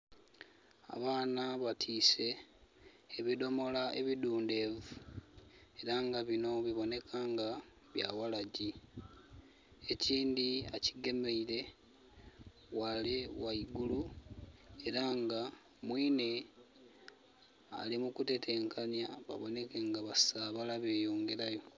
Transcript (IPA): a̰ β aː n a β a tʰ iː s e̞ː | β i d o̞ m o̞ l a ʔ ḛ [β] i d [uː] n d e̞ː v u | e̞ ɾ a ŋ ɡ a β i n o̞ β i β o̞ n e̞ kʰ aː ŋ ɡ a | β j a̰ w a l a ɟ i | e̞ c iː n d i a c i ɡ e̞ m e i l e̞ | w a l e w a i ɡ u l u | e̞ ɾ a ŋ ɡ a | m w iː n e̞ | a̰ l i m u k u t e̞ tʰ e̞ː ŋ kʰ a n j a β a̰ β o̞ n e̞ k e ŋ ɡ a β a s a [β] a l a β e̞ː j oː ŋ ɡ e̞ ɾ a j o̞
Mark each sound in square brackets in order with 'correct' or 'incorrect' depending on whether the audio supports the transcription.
correct, correct, correct

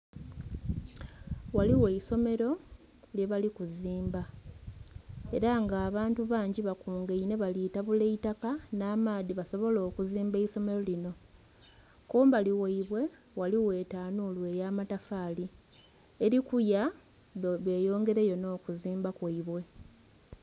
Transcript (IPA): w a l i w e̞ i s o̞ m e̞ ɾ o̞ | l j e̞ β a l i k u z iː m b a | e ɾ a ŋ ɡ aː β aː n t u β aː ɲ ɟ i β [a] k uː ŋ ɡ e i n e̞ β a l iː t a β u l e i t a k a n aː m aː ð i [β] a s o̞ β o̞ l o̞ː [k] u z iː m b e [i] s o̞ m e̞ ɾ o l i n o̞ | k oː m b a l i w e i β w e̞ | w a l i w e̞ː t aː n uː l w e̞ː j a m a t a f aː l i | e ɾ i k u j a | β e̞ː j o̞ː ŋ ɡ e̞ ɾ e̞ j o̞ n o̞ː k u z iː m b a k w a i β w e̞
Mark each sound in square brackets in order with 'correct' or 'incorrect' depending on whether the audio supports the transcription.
correct, correct, correct, correct

